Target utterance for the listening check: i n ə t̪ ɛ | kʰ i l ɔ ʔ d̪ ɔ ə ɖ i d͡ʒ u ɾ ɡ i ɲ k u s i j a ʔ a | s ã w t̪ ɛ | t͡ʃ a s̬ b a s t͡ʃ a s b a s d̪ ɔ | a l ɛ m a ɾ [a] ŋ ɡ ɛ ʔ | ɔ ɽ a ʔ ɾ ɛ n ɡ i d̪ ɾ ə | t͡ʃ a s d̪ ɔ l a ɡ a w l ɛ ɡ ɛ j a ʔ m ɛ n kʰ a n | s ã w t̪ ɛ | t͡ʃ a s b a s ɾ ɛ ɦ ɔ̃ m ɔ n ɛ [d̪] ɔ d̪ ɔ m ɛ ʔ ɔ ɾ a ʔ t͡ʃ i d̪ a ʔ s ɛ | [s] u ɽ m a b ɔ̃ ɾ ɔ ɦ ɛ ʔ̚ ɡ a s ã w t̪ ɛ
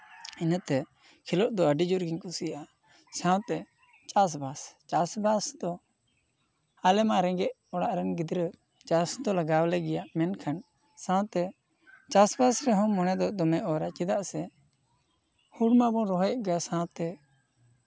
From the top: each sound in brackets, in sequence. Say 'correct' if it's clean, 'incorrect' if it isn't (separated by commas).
incorrect, correct, incorrect